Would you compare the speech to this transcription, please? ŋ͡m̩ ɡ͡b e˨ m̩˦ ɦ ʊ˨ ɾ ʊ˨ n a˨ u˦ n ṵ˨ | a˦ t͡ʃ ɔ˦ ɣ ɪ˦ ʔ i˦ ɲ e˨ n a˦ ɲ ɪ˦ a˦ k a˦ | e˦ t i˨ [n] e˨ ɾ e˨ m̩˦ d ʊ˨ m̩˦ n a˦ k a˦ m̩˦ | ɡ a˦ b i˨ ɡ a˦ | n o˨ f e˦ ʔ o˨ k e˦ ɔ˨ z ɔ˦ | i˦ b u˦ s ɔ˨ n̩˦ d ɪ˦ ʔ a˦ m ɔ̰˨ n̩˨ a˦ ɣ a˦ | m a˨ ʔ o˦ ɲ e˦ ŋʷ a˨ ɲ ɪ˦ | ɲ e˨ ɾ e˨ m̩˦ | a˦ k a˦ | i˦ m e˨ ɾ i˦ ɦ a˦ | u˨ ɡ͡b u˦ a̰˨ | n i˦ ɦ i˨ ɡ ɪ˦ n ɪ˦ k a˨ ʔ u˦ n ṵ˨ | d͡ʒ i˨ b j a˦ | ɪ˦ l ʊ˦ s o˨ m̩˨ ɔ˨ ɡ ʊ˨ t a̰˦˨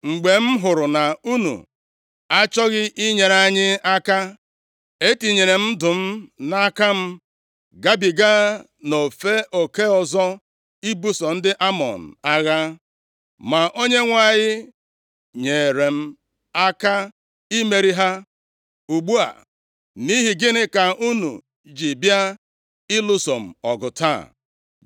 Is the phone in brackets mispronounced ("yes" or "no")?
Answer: yes